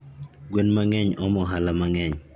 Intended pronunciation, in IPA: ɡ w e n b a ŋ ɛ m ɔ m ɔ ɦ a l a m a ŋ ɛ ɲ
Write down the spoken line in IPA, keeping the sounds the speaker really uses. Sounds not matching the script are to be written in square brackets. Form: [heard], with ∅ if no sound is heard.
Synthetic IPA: ɡ w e n [m] a ŋ ɛ [ɲ] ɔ m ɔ ɦ a l a m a ŋ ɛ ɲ

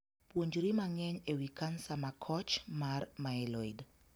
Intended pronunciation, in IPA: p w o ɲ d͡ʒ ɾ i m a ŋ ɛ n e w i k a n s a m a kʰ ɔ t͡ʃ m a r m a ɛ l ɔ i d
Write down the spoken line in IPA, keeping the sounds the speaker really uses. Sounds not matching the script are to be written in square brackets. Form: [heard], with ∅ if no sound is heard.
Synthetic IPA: p w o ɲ d͡ʒ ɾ i m a ŋ ɛ [ɲ] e w i k a n s a m a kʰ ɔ t͡ʃ m a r m a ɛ l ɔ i d

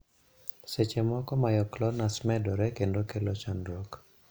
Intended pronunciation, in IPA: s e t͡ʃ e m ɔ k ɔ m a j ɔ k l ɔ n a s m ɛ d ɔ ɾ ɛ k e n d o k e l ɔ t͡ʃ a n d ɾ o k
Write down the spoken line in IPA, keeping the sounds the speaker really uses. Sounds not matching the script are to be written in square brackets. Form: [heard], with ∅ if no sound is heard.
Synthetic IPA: s e t͡ʃ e m ɔ k ɔ m a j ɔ k l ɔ n a s m ɛ d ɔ ɾ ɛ k e n d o k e l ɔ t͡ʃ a n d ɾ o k

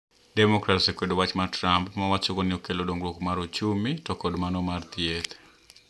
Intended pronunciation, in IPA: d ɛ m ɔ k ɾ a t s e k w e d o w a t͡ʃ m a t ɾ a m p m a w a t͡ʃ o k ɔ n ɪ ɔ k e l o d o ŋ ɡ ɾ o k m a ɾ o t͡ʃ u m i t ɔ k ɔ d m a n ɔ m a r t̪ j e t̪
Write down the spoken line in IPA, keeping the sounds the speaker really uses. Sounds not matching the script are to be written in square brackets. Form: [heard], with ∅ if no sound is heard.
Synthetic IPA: d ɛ m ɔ k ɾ a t s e k w e d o w a t͡ʃ m a t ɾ a m p m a w a t͡ʃ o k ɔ n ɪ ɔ k e l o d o ŋ ɡ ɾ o k m a ɾ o t͡ʃ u m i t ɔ k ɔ d m a n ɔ m a r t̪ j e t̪

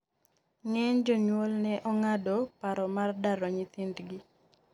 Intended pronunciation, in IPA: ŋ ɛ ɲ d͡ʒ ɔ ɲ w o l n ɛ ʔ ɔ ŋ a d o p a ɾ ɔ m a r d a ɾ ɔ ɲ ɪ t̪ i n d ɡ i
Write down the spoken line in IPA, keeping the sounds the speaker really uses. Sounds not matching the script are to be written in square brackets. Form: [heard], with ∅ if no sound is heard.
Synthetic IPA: ŋ ɛ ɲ d͡ʒ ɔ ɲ w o l n ɛ ʔ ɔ ŋ a d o p a ɾ ɔ m a r d a ɾ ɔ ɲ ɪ t̪ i n d ɡ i

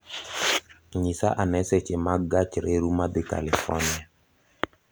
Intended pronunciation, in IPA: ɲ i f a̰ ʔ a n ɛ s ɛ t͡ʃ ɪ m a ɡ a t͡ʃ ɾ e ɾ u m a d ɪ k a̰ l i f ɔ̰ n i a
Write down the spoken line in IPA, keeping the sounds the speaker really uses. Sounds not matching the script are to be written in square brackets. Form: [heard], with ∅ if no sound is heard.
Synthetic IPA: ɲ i [s] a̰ ʔ a n ɛ s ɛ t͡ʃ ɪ m a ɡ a t͡ʃ ɾ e ɾ u m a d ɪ k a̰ l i f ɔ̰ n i a

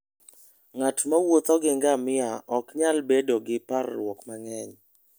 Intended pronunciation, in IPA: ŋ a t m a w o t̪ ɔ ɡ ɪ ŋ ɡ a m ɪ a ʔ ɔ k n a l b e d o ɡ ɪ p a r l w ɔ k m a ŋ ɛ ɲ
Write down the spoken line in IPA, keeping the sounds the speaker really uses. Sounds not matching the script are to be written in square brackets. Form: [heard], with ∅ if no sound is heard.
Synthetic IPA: ŋ a t m a w o t̪ ɔ ɡ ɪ ŋ ɡ a m ɪ a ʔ ɔ k [ɲ] a l b e d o ɡ ɪ p a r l w ɔ k m a ŋ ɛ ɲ

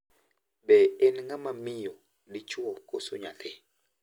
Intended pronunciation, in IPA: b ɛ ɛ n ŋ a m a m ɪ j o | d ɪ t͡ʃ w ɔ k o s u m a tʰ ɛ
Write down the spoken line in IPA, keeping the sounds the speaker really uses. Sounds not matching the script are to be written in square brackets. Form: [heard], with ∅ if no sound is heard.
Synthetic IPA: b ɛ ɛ n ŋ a m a m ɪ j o | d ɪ t͡ʃ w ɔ k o s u [ɲ] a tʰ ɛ

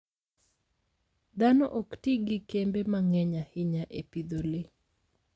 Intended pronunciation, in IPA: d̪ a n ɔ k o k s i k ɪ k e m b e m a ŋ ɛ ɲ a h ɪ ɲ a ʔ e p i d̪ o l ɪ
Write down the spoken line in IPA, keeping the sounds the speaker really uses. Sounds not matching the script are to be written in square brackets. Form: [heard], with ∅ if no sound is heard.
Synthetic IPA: d̪ a n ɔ [ʔ] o k [t] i [ɡ] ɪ k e m b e m a ŋ ɛ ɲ a h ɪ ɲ a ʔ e p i d̪ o l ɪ

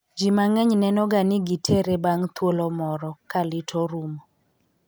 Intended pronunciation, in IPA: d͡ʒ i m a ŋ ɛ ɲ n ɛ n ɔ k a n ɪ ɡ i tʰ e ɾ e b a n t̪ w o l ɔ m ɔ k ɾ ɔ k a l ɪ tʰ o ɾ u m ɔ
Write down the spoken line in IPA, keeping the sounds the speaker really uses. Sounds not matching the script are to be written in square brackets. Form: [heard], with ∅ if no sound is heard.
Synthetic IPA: d͡ʒ i m a ŋ ɛ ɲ n ɛ n ɔ [ɡ] a n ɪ ɡ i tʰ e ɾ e b a [ŋ] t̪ w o l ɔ m ɔ [∅] ɾ ɔ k a l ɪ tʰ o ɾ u m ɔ

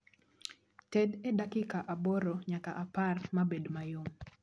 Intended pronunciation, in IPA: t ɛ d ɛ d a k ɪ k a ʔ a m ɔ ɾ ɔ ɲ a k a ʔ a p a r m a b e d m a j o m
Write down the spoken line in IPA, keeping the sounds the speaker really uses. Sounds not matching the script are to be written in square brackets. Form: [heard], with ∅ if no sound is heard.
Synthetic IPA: t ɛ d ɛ d a k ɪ k a ʔ a [b] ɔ ɾ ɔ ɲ a k a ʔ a p a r m a b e d m a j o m

